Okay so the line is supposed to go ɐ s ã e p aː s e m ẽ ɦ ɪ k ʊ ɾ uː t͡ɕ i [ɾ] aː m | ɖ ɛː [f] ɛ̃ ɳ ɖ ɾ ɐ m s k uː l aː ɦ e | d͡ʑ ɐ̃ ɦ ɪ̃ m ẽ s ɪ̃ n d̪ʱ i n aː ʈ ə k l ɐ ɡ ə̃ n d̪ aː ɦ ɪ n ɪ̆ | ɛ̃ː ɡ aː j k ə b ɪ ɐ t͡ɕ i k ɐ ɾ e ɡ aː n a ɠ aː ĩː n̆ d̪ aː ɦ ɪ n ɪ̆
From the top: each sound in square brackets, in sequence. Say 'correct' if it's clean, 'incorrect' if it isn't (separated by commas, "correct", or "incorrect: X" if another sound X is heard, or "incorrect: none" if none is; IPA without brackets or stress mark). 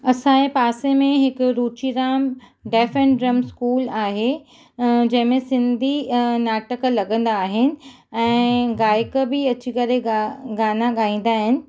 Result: correct, correct